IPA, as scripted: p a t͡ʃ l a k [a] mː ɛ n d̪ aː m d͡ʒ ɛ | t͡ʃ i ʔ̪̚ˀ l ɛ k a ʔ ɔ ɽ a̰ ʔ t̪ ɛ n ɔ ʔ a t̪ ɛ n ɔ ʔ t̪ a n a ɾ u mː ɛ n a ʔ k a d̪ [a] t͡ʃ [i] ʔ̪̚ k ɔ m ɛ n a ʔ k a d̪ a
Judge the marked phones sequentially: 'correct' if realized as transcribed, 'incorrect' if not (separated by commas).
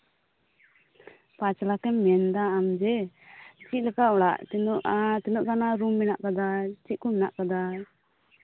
incorrect, correct, correct